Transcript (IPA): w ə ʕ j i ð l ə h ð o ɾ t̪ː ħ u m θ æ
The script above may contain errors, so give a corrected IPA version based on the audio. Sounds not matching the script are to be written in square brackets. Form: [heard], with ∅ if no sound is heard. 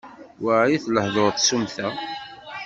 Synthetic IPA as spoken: w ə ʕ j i [θ] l ə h ð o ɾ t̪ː [s] u m θ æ